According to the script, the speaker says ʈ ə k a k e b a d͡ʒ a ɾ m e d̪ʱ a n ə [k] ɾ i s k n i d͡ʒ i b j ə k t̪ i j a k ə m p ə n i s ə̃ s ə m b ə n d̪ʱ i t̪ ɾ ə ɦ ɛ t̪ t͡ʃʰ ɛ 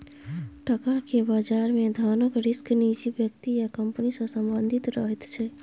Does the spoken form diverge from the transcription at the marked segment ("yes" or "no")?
no